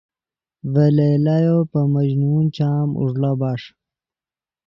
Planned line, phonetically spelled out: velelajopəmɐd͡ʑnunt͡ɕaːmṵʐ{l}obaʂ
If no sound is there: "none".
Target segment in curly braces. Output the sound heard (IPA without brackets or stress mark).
l